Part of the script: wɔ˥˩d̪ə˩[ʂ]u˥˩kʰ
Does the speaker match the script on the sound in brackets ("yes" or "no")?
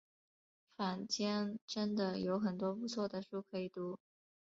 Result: yes